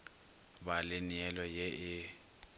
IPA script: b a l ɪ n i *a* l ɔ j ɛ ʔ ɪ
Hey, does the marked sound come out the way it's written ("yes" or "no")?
no